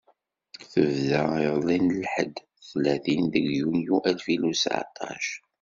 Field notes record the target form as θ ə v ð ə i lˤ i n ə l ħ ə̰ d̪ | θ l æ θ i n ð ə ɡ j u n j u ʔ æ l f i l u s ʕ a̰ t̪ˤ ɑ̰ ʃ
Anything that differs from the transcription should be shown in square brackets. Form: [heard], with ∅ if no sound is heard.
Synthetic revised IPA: θ ə v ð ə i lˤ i n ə l ħ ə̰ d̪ | θ l æ θ i n ð ə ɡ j u n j u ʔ æ l f i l u s ʕ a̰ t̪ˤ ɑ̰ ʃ